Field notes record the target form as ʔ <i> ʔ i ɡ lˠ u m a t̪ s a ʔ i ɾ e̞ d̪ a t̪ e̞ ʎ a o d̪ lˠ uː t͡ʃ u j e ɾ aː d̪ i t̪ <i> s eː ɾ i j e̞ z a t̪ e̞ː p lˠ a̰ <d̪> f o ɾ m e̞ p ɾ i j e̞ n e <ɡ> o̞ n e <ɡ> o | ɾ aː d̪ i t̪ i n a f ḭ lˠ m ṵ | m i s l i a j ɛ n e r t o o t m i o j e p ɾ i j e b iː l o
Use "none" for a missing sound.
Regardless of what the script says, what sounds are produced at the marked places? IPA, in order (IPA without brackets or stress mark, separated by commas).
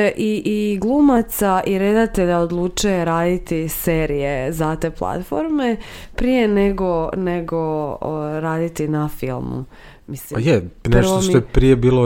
i, i, t̪, ɡ, ɡ